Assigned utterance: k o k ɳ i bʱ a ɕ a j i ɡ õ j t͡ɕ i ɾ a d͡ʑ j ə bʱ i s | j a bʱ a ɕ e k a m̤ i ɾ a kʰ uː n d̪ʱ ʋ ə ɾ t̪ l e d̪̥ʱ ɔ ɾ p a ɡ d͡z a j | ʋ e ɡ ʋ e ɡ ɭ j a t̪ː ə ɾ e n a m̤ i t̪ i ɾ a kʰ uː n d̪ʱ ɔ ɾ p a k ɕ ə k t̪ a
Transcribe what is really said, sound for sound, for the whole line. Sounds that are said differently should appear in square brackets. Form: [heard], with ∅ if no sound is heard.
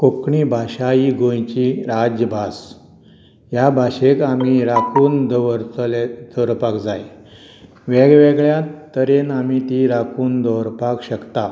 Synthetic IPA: k o k ɳ i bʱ a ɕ a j i ɡ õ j t͡ɕ i ɾ a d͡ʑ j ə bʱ [a] s | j a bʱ a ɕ e k a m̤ i ɾ a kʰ uː n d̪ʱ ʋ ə ɾ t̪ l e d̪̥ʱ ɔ ɾ p a [k] d͡z a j | ʋ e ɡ ʋ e ɡ ɭ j a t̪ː ə ɾ e n a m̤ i t̪ i ɾ a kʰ uː n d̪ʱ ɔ ɾ p a k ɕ ə k t̪ a